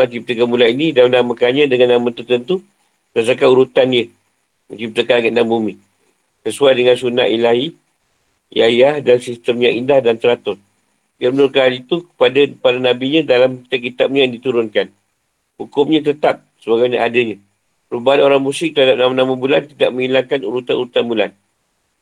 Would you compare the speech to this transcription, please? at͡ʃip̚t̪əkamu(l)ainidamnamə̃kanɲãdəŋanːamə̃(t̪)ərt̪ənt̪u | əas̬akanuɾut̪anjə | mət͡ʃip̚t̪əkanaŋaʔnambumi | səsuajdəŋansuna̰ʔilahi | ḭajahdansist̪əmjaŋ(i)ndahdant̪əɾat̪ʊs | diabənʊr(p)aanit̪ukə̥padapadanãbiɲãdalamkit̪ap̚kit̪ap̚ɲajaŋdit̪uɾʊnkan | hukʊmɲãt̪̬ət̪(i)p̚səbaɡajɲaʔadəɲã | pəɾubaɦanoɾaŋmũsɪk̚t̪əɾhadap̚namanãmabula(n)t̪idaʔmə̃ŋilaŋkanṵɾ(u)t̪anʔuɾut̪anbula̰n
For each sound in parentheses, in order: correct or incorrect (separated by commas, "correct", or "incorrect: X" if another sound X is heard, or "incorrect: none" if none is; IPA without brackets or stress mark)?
correct, correct, correct, incorrect: k, incorrect: a, correct, correct